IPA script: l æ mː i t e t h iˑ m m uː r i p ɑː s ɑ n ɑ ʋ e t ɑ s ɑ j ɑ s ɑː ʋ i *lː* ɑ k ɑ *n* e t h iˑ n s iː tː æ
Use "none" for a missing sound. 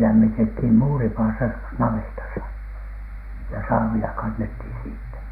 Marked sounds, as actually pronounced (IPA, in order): l, nː

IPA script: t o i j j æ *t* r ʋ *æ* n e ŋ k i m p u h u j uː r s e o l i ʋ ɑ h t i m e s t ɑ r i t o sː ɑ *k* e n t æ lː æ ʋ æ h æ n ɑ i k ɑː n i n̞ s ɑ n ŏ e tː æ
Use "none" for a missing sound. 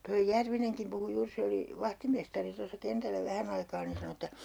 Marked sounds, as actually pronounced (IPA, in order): none, i, k

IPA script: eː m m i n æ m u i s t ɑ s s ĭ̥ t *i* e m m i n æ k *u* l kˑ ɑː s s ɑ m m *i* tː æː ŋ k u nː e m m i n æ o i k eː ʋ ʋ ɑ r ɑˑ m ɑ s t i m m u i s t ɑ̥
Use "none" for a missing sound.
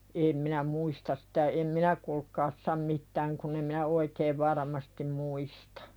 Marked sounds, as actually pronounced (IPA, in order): æ, u, i

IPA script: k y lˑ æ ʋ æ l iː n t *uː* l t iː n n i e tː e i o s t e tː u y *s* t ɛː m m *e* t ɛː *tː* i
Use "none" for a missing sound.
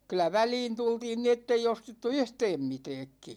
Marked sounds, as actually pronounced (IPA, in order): u, h, i, kː

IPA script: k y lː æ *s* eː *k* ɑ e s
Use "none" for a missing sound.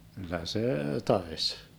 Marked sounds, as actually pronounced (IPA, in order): s, t

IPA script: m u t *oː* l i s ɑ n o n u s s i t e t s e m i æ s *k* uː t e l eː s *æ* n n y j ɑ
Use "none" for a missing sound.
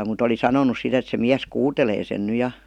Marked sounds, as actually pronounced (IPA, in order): o, k, e

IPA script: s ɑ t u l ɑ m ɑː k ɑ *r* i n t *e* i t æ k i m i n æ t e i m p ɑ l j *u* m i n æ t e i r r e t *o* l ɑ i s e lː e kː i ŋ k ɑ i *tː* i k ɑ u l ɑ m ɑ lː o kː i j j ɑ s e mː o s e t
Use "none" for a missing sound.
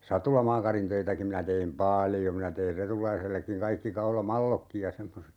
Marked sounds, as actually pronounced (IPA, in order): r, ø, o, u, kː

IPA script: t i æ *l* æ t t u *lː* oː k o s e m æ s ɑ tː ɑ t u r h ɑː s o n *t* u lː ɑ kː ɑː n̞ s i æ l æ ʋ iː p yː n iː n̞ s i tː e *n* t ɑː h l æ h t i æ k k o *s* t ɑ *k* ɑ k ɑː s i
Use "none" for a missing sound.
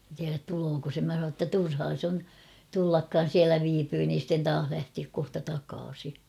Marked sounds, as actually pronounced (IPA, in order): r, l, t, n, h, t

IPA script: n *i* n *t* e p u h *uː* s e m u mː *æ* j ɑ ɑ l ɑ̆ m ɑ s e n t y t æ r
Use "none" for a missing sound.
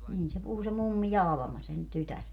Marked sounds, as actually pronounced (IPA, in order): iː, s, u, i

